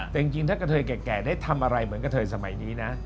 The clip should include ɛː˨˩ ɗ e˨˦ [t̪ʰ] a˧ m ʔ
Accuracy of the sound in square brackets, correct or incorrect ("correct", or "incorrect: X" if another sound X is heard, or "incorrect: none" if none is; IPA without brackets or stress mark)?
correct